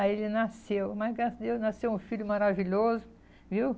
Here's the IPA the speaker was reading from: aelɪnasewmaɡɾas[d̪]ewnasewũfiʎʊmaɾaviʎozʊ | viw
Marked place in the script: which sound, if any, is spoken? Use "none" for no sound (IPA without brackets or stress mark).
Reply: d̪